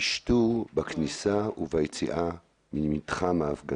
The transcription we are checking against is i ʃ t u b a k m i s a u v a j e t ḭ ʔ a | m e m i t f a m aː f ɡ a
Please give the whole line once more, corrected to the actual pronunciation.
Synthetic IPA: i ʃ t u b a k n i s a u v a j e t͡s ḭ ʔ a | m i m i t χ a m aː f ɡ a